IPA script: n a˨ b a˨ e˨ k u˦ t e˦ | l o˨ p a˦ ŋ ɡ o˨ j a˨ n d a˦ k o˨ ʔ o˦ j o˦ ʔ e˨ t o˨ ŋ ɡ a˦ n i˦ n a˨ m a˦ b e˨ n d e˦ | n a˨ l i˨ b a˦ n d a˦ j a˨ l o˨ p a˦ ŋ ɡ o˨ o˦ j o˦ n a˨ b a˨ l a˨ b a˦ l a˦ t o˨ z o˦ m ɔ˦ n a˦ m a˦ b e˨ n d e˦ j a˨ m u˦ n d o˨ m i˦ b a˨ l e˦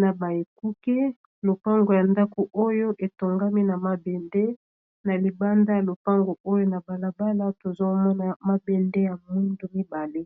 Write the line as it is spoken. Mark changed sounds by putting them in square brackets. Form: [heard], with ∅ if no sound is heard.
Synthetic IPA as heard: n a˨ b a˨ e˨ k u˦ [k] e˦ | l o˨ p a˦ ŋ ɡ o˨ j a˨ n d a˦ k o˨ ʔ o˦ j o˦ ʔ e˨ t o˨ ŋ ɡ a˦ [m] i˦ n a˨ m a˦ b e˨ n d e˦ | n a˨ l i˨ b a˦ n d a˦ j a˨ l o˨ p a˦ ŋ ɡ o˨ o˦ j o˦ n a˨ b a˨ l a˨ b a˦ l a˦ t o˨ z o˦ m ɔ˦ n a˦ m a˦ b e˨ n d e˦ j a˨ m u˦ n d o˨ m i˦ b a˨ l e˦